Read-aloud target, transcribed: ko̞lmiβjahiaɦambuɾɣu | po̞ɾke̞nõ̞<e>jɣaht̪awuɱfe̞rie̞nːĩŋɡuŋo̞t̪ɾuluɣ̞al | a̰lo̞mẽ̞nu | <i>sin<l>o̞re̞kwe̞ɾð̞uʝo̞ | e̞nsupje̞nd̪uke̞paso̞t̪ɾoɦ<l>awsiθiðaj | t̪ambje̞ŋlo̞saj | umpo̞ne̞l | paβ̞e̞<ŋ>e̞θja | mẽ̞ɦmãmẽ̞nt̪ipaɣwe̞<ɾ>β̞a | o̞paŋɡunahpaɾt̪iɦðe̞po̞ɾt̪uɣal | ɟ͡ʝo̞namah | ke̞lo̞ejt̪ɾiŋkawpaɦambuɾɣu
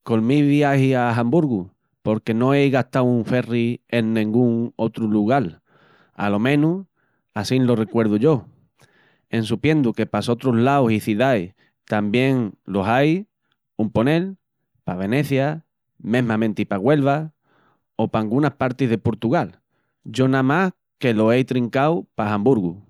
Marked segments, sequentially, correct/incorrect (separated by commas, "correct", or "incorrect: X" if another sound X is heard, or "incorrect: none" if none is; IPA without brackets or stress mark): correct, incorrect: a, correct, correct, incorrect: n, incorrect: l